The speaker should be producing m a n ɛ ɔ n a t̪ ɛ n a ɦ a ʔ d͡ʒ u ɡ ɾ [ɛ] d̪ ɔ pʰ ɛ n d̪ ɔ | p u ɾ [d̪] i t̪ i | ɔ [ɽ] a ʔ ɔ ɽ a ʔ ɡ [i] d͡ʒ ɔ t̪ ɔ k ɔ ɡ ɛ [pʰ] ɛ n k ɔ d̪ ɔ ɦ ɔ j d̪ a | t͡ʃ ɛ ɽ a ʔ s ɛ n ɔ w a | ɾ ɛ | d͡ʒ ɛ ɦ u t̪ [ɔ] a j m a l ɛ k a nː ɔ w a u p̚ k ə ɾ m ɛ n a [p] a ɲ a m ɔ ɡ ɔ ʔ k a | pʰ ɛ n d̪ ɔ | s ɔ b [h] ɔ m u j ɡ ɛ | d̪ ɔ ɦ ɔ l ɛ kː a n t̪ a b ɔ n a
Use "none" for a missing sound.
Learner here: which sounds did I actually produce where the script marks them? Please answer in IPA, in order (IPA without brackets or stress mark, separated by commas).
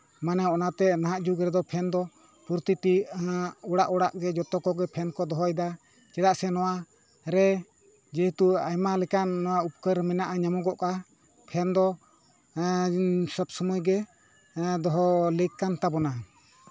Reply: ɛ, t̪, ɽ, ɛ, pʰ, u, ʔ, s